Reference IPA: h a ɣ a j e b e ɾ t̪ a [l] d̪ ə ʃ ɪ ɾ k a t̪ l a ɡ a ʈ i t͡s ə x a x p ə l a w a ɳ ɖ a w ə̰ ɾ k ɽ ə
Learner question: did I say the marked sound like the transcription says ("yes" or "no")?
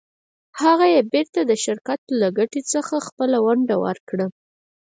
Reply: no